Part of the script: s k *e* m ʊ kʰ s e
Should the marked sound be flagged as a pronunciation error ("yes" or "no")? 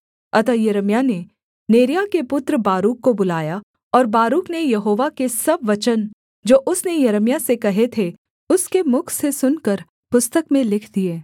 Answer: no